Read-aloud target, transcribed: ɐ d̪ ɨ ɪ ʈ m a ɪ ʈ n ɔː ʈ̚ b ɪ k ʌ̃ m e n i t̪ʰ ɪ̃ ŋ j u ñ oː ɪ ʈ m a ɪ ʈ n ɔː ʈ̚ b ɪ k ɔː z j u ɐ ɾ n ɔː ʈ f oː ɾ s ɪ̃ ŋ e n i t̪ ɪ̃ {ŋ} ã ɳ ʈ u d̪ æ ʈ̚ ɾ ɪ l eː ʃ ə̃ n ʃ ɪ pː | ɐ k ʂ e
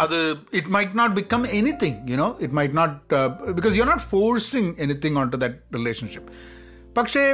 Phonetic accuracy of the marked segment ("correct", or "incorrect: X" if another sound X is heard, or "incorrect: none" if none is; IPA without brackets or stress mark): correct